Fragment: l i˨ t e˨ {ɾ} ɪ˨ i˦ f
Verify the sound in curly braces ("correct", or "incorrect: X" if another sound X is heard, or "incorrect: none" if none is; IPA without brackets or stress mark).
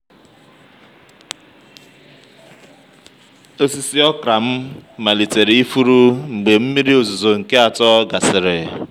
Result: correct